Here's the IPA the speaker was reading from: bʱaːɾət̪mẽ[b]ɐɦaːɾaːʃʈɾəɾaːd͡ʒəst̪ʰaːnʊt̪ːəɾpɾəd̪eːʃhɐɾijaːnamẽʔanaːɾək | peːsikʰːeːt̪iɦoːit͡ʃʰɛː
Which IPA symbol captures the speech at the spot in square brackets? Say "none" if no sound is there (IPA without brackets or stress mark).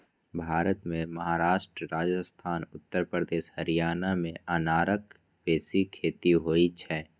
m